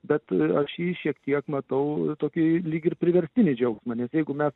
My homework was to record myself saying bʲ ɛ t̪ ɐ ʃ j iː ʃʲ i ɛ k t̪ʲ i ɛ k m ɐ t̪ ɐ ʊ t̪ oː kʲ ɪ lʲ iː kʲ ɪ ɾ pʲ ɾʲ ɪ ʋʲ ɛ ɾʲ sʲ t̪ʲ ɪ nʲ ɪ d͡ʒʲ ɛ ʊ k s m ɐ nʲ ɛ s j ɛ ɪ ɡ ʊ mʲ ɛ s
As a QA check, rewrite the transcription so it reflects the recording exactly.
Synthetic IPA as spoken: bʲ ɛ t̪ ɐ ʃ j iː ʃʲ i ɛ k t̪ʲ i ɛ k m ɐ t̪ ɐ ʊ t̪ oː kʲ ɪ lʲ iː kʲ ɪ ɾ pʲ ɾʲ ɪ ʋʲ ɛ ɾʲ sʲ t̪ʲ ɪ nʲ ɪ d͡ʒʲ ɛ ʊ k s m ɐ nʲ ɛ s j ɛ ɪ ɡ ʊ mʲ ɛ s